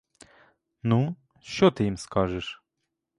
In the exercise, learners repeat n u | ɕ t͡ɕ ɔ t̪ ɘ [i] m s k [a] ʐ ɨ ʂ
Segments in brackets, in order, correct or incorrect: correct, correct

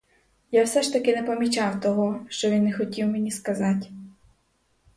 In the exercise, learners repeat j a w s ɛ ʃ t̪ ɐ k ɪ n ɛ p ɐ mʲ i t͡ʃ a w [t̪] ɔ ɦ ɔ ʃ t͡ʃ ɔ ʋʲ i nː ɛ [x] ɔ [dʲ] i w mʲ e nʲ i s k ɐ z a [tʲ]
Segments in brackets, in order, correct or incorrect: correct, correct, incorrect, correct

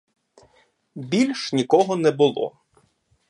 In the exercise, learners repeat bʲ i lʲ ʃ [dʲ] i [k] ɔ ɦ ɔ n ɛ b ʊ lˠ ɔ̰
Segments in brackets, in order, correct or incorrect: incorrect, correct

